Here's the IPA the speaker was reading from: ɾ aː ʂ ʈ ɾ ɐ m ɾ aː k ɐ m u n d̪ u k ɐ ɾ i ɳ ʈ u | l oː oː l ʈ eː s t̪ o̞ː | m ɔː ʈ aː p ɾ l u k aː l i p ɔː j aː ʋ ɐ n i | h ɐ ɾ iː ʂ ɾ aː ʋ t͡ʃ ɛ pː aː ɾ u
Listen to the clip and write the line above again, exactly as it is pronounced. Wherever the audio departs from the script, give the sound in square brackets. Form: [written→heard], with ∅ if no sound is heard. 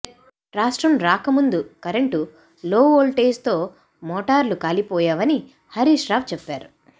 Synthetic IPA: ɾ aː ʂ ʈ ɾ ɐ m ɾ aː k ɐ m u n d̪ u k ɐ ɾ [i→e] ɳ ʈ u | l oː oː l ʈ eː s t̪ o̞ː | m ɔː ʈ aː [p→∅] ɾ l u k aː l i p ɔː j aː ʋ ɐ n i | h ɐ ɾ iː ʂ ɾ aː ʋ t͡ʃ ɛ pː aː ɾ u